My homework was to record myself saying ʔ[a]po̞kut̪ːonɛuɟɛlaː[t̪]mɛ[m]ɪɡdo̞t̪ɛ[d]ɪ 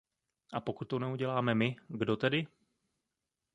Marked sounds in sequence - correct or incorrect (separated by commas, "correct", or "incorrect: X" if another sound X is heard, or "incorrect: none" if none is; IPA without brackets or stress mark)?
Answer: correct, incorrect: none, correct, correct